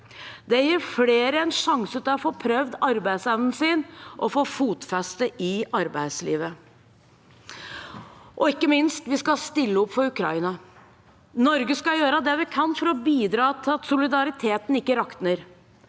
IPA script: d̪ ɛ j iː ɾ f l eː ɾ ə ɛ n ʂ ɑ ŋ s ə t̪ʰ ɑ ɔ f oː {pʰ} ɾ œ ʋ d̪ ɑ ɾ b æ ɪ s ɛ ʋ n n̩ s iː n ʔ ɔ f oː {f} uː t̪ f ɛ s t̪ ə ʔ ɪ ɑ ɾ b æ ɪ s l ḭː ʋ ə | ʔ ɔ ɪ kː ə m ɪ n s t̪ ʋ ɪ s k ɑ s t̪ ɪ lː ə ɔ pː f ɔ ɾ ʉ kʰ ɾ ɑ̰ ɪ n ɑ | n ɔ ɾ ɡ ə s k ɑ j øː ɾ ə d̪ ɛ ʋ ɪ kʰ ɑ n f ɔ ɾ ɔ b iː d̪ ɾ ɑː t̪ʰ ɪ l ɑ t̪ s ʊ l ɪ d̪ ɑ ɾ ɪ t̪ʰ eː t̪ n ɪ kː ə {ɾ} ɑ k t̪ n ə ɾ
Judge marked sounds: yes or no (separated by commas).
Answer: yes, yes, yes